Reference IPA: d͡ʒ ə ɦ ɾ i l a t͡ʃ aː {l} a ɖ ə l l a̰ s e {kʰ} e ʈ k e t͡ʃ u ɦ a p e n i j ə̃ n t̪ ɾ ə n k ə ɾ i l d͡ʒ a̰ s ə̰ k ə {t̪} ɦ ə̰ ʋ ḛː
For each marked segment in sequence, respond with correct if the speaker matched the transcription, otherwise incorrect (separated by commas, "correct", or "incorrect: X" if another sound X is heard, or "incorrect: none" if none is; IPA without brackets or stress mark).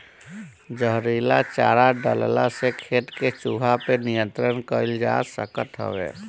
incorrect: ɾ, correct, correct